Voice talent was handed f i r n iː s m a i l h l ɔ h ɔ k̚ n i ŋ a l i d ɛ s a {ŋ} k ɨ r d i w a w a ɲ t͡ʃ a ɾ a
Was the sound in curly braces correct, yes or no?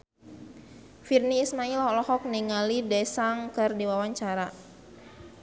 yes